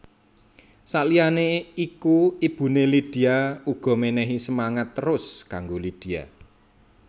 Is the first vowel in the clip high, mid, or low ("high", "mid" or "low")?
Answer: low